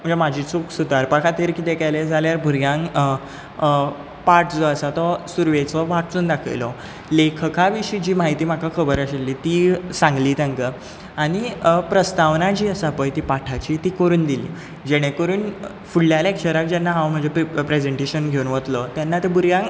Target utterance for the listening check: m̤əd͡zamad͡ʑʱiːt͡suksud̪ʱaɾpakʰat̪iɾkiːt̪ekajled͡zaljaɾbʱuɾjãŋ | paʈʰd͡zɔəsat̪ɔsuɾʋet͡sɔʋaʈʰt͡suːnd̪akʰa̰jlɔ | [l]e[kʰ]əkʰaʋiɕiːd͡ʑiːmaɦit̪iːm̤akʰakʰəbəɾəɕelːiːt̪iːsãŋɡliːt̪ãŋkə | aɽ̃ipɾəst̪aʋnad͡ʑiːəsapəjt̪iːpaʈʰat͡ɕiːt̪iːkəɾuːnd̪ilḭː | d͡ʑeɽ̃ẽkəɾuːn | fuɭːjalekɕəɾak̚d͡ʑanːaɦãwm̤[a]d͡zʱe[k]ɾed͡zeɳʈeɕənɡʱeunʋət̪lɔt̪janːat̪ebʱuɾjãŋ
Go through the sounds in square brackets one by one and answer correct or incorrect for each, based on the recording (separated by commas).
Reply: correct, correct, incorrect, incorrect